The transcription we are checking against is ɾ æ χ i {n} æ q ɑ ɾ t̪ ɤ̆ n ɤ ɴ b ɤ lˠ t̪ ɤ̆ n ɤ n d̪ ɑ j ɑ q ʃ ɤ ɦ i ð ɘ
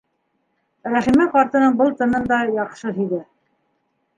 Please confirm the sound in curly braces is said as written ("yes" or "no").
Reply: no